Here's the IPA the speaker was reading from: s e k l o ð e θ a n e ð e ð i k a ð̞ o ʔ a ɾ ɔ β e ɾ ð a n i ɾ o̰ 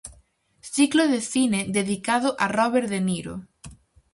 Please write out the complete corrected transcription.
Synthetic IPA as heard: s i k l o ð e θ i n e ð e ð i k a ð̞ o ʔ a r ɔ β e ɾ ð e n i ɾ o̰